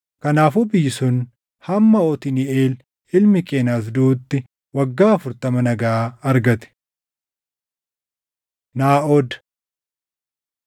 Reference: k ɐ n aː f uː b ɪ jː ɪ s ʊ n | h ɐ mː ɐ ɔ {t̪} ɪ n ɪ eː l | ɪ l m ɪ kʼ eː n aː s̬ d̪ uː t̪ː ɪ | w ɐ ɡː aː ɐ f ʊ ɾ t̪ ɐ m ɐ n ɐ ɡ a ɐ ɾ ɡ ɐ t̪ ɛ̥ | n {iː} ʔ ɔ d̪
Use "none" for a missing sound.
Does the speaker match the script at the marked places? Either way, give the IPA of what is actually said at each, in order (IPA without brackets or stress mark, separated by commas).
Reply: t̪, aː